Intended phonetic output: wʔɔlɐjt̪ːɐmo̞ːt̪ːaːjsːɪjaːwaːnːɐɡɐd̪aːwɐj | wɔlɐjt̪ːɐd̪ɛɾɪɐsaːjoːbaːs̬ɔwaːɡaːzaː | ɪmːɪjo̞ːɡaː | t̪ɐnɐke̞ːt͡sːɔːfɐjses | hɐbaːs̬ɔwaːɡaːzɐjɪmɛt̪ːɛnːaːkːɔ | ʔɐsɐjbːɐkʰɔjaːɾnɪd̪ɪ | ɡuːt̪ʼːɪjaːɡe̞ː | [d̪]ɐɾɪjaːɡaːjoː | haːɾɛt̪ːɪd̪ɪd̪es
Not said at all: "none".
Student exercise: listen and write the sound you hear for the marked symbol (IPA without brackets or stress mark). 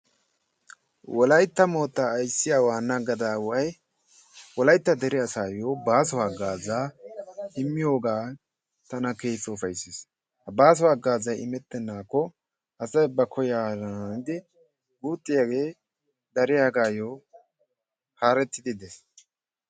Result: d̪